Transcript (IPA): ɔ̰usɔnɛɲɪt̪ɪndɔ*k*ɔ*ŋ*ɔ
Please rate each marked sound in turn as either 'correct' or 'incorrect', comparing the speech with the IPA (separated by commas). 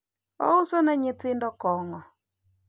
correct, correct